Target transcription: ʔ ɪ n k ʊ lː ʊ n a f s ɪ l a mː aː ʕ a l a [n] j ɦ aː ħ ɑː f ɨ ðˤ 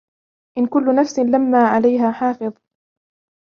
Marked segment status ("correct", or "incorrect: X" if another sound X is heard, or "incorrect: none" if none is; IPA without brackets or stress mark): incorrect: none